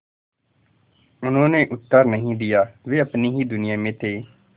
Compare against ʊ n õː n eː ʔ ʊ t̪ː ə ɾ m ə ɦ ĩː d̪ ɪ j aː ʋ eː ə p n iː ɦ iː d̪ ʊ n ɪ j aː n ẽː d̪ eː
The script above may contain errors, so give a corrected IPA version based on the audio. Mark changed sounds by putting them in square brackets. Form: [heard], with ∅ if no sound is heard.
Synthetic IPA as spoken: ʊ n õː n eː ʔ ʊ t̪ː ə ɾ [n] ə ɦ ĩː d̪ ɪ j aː ʋ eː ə p n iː ɦ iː d̪ ʊ n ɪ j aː [m] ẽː [t̪] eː